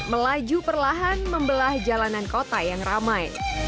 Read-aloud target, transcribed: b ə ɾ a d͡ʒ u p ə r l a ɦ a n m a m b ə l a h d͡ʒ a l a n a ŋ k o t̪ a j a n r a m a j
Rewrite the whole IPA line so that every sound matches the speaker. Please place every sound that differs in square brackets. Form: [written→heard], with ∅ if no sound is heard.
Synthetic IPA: [b→m] ə [ɾ→l] a d͡ʒ u p ə r l a ɦ a n m [a→ə] m b ə l a h d͡ʒ a l a n a [ŋ→n] k o t̪ a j a [n→ŋ] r a m a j